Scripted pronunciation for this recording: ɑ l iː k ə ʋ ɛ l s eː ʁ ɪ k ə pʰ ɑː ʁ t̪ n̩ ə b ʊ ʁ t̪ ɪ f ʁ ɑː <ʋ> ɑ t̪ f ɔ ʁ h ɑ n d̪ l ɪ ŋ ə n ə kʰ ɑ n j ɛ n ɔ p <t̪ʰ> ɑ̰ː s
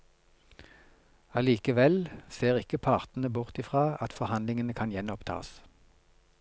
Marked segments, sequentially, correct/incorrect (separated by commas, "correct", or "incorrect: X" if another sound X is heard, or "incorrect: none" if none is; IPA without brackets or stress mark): incorrect: none, correct